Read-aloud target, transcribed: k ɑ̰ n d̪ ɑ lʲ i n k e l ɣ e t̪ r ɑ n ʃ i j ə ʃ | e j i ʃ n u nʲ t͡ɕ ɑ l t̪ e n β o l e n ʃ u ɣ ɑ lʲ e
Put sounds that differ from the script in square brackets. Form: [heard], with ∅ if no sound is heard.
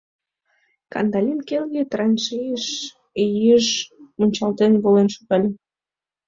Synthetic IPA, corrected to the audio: k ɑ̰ n d̪ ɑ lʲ i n k e l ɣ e t̪ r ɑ n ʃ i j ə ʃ | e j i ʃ [m] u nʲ t͡ɕ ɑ l t̪ e n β o l e n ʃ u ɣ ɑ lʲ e